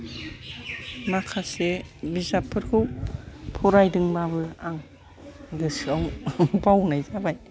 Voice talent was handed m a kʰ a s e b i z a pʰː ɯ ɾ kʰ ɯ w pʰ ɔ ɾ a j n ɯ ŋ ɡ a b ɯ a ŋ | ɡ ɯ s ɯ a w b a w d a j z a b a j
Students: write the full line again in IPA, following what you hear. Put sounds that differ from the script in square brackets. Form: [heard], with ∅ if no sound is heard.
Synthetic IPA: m a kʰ a s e b i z a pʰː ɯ ɾ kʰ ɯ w pʰ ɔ ɾ a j [d] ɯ ŋ [b] a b ɯ a ŋ | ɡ ɯ s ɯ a w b a w [n] a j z a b a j